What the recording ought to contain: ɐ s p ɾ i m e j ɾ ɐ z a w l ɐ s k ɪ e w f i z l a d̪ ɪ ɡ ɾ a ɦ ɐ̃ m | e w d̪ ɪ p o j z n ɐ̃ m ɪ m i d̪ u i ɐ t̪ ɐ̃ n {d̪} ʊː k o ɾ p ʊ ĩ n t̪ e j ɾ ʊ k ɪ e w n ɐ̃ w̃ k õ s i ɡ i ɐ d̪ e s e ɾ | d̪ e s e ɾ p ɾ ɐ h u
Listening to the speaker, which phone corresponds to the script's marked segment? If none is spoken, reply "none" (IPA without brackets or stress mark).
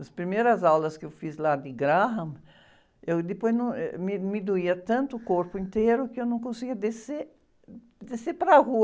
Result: t̪